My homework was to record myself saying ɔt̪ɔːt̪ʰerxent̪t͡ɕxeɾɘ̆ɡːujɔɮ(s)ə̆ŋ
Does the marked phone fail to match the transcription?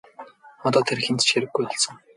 no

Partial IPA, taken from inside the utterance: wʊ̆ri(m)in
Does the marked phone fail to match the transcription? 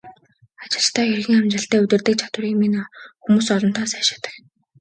no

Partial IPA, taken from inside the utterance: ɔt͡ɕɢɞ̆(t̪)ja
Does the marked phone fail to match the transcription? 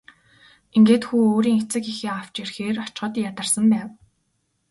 no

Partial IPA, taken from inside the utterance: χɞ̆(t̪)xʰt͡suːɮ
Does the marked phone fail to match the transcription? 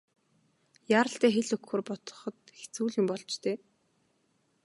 no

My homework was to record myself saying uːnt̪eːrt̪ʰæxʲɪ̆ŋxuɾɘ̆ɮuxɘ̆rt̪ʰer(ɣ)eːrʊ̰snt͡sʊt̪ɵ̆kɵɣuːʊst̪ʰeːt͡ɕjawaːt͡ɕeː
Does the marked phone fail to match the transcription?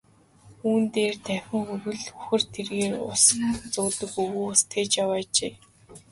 no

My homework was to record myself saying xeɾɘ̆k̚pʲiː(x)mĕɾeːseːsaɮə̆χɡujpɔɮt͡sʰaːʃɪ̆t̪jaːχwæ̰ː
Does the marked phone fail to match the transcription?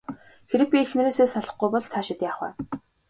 no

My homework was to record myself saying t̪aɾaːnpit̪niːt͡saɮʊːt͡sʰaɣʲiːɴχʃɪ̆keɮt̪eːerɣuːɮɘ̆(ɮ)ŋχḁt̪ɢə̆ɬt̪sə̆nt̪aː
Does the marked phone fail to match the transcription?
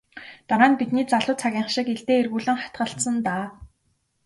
yes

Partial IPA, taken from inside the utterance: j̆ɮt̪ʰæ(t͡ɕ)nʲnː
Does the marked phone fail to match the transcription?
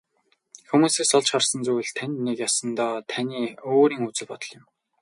yes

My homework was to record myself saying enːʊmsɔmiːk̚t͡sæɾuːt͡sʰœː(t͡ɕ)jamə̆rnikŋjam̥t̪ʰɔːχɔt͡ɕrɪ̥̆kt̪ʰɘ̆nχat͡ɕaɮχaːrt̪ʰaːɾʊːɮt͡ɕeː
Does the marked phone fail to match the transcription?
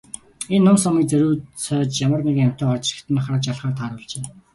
no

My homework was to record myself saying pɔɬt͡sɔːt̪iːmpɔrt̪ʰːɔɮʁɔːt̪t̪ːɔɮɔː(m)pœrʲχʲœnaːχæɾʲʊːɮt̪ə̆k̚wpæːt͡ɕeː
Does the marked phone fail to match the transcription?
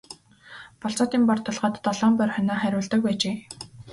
no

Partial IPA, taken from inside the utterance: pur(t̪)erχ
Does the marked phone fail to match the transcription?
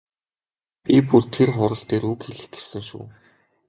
yes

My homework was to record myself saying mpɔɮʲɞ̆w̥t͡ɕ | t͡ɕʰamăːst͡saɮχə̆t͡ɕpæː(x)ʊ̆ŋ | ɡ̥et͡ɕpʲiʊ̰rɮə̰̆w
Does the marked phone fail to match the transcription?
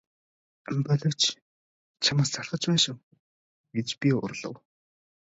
yes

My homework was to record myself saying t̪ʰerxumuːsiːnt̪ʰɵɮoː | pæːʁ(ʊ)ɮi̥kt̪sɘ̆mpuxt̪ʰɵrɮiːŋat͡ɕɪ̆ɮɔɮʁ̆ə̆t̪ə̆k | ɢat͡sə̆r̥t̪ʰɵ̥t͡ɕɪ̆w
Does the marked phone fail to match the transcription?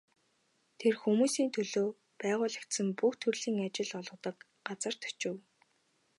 yes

